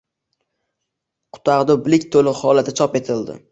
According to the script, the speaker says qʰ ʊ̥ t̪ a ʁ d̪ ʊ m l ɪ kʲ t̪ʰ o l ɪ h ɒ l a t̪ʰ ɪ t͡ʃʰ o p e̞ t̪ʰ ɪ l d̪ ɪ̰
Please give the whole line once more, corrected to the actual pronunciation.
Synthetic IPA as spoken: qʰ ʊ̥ t̪ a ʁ d̪ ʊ b l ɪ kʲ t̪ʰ o l ɪ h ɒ l a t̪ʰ ɪ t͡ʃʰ ɒ p e̞ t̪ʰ ɪ l d̪ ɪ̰